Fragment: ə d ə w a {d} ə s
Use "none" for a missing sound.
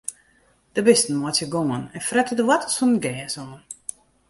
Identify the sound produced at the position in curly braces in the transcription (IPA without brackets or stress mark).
t